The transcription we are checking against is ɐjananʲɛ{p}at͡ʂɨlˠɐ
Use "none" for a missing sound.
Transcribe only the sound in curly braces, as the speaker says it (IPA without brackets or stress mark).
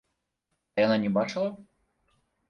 b